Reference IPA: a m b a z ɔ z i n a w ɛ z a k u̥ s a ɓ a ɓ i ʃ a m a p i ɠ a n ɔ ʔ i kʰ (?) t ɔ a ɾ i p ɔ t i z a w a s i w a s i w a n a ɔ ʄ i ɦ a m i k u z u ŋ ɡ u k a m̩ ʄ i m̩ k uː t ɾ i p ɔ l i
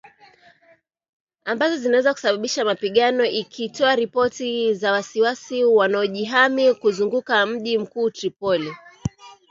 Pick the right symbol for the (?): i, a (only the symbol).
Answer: i